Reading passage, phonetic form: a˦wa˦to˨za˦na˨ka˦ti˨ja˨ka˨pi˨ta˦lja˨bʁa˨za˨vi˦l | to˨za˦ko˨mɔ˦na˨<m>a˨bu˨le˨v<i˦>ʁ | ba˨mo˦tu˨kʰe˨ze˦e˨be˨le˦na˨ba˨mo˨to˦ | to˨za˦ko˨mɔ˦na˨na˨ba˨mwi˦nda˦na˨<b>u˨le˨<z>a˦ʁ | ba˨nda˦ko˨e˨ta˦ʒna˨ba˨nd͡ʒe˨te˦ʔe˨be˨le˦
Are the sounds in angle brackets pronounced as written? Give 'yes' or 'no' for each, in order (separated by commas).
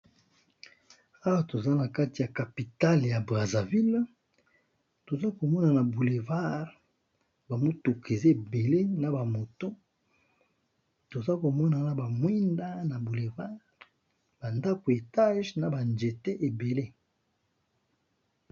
no, no, yes, no